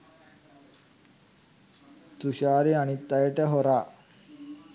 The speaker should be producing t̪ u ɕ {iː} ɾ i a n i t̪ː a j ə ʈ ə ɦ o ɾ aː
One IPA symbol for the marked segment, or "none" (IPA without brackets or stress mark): aː